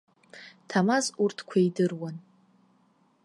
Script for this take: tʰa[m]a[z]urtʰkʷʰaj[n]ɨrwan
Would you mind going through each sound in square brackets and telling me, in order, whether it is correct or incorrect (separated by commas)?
correct, correct, incorrect